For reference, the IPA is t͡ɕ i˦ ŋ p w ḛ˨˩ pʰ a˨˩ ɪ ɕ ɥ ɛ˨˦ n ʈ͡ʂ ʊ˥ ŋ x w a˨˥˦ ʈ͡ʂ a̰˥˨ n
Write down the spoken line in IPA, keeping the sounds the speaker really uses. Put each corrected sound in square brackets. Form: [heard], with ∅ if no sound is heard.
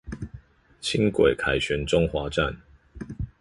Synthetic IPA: [t͡ɕʰ] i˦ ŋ [k] w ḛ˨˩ [kʰ] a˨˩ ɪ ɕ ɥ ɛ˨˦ n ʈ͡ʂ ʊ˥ ŋ x w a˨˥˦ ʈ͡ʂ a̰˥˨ n